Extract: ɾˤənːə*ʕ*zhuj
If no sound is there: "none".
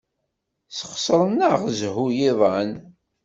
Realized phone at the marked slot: ʁ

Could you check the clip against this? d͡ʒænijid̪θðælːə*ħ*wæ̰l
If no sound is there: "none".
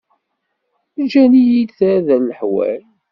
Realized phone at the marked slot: ħ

